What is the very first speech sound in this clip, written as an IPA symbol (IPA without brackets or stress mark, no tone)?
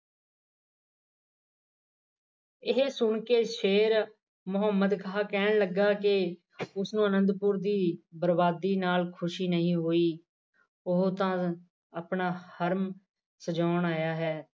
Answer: ɪ